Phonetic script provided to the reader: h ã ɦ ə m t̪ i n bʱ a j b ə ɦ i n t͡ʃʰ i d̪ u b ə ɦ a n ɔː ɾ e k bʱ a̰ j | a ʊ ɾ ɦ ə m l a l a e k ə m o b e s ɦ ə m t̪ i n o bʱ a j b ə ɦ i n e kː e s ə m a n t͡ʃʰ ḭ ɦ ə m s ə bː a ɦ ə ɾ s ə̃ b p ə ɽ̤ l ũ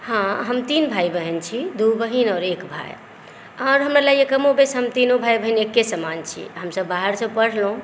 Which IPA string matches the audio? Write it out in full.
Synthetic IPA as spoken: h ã ɦ ə m t̪ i n bʱ a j b ə ɦ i n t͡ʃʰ i d̪ u b ə ɦ i n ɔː ɾ e k bʱ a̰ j | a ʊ ɾ ɦ ə m ɾ a l a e k ə m o b e s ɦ ə m t̪ i n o bʱ a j b ə ɦ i n e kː e s ə m a n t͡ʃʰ ḭ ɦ ə m s ə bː a ɦ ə ɾ s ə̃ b p ə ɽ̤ l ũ